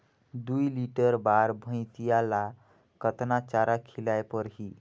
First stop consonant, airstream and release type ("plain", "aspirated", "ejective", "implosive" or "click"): plain